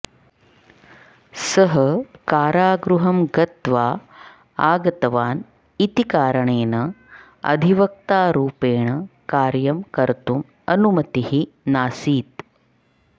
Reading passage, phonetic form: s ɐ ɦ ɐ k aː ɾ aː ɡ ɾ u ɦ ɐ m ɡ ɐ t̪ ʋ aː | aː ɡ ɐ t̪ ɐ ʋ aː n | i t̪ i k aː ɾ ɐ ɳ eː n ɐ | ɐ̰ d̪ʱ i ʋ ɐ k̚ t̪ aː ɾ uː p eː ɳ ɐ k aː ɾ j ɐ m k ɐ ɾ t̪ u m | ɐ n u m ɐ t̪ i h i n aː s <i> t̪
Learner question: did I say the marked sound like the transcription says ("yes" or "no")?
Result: no